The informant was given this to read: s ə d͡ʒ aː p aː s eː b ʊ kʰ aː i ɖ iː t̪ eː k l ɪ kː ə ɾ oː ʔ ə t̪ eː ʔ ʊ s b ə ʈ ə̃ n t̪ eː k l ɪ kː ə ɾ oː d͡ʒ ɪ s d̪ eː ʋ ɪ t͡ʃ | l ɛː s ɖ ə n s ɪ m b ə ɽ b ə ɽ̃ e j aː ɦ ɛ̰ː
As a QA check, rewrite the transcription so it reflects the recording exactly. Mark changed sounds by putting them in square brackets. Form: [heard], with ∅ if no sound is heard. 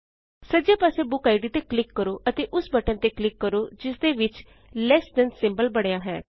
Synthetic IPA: s ə d͡ʒ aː p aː s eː b ʊ [k] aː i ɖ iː t̪ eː k l ɪ kː ə ɾ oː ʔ ə t̪ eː ʔ ʊ s b ə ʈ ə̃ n t̪ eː k l ɪ kː ə ɾ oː d͡ʒ ɪ s d̪ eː ʋ ɪ t͡ʃ | l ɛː s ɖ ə n s ɪ m b ə [l] b ə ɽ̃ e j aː ɦ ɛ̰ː